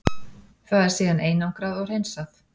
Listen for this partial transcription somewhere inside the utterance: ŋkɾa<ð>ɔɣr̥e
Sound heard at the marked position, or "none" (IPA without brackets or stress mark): ð